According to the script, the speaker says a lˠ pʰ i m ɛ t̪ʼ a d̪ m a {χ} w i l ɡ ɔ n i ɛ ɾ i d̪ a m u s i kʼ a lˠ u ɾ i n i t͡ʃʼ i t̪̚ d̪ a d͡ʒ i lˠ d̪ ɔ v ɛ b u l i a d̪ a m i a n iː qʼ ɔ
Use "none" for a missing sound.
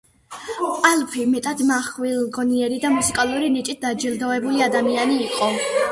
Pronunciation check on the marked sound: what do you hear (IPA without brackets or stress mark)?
χ